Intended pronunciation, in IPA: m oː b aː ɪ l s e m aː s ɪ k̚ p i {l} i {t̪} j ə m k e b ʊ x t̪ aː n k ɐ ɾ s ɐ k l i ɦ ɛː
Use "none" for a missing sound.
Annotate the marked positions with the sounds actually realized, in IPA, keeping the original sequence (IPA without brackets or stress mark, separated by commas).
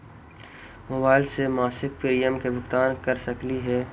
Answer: ɾ, none